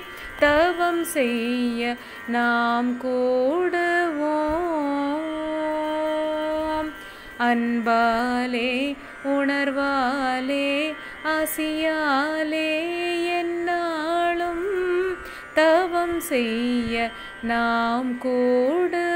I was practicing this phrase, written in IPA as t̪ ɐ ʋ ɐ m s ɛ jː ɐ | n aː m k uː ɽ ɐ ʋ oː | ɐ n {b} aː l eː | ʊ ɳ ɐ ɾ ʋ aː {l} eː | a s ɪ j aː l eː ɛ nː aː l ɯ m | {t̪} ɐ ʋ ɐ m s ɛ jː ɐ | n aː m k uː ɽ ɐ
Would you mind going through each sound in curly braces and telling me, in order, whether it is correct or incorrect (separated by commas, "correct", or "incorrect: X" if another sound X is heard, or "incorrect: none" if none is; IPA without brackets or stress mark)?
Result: correct, correct, correct